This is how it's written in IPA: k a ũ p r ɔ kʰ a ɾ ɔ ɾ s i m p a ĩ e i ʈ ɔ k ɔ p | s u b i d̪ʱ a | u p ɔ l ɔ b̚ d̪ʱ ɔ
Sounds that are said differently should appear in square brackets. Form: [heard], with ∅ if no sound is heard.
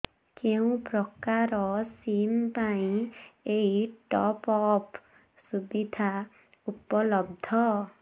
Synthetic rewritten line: k [e] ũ p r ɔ [k] a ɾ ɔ [∅] s i m p a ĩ e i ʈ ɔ [p] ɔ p | s u b i d̪ʱ a | u p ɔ l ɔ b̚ d̪ʱ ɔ

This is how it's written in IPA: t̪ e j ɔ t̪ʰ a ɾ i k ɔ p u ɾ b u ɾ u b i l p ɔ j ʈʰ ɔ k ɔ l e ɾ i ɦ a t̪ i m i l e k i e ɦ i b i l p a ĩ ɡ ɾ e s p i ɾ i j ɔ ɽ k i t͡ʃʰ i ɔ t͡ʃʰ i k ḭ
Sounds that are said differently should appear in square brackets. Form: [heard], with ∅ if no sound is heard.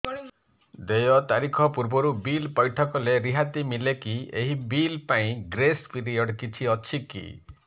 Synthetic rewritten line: [d̪] e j ɔ [t̪] a ɾ i [kʰ] ɔ p u ɾ b [ɔ] ɾ u b i l p ɔ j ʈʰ ɔ k ɔ l e ɾ i ɦ a t̪ i m i l e k i e ɦ i b i l p a ĩ ɡ ɾ e s p i ɾ i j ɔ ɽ k i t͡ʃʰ i ɔ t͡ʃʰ i k ḭ

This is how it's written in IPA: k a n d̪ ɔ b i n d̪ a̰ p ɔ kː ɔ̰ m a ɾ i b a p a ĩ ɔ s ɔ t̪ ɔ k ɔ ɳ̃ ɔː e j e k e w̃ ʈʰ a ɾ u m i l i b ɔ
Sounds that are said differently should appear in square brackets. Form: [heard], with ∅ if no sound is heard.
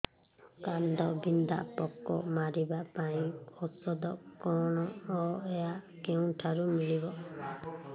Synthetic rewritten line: k a n d̪ ɔ b i n d̪ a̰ p ɔ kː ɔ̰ m a ɾ i b a p a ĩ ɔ s ɔ [d̪] ɔ k ɔ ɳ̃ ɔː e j [a] k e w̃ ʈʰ a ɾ u m i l i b ɔ

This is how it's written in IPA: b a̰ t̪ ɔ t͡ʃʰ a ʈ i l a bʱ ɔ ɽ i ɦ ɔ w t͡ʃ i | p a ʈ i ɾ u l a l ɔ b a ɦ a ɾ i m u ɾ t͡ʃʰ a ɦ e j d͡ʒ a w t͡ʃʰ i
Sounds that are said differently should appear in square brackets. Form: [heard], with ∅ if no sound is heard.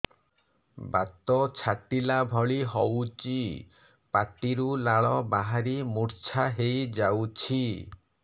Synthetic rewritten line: b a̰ t̪ ɔ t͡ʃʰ a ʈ i l a bʱ ɔ [ɭ] i ɦ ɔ w t͡ʃ i | p a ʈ i ɾ u l a [ɭ] ɔ b a ɦ a ɾ i m u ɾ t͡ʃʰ a ɦ e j d͡ʒ a w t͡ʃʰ i

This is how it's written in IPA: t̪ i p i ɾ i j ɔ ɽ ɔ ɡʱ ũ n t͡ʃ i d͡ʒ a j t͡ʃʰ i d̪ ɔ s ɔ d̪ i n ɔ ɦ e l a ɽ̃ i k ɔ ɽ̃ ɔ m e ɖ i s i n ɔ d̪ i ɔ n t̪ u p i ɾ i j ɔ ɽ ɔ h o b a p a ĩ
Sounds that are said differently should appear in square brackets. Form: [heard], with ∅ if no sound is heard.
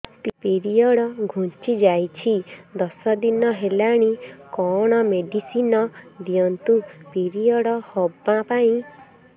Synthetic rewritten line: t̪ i p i ɾ i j ɔ ɽ ɔ ɡʱ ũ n t͡ʃ i d͡ʒ a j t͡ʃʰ i d̪ ɔ s ɔ d̪ i n ɔ ɦ e l a ɽ̃ i k ɔ ɽ̃ ɔ m e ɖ i s i n ɔ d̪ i ɔ n t̪ u p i ɾ i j ɔ ɽ ɔ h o b a p a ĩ

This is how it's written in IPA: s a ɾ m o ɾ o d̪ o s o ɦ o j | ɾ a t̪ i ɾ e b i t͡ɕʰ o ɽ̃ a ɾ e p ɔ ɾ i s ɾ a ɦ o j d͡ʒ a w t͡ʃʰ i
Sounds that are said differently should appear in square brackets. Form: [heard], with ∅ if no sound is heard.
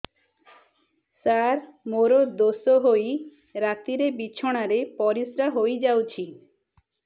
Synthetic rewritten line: s a ɾ m o ɾ o d̪ o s o ɦ o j | ɾ a t̪ i ɾ e b i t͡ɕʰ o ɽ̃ a ɾ e p ɔ ɾ i s ɾ a ɦ o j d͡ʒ a w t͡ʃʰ i

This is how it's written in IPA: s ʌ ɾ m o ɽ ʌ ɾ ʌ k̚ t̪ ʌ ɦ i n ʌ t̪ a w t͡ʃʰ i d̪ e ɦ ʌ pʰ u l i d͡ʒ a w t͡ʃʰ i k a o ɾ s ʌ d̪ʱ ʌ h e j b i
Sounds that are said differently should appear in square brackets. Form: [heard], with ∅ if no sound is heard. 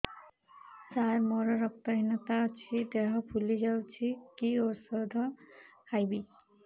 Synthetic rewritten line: s [a] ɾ m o [ɾ] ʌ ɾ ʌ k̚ t̪ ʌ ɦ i n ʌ t̪ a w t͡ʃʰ i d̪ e ɦ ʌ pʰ u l i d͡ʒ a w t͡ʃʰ i k [i] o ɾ s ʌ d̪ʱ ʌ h [a] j b i

